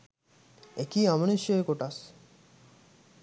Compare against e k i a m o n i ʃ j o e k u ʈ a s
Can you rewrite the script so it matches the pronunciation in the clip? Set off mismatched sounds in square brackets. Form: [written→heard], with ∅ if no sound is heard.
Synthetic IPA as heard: e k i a m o n i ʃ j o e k [u→o] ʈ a s

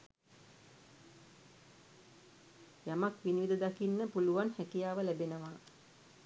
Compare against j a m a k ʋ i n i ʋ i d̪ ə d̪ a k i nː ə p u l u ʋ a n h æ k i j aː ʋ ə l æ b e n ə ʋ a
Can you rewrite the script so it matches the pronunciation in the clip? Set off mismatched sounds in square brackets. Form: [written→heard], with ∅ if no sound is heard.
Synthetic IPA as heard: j a m a k ʋ i n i ʋ i d̪ ə d̪ a k i nː ə p u l u ʋ a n h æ k i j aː ʋ ə l æ b e n ə ʋ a

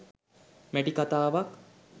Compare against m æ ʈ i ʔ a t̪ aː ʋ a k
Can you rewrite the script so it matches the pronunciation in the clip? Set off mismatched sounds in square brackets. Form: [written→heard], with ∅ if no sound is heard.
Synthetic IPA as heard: m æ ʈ i [ʔ→k] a t̪ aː ʋ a k

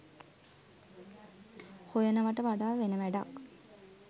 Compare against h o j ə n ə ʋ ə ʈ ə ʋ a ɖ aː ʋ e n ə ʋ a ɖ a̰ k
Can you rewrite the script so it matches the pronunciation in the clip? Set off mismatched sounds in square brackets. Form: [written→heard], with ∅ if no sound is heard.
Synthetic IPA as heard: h o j ə n ə ʋ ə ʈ ə ʋ a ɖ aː ʋ e n ə ʋ [a→æ] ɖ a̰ k

